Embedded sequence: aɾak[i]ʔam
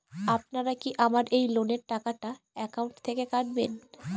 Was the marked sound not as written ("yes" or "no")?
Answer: no